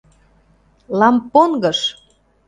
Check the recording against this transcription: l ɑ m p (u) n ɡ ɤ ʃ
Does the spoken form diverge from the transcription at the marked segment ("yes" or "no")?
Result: yes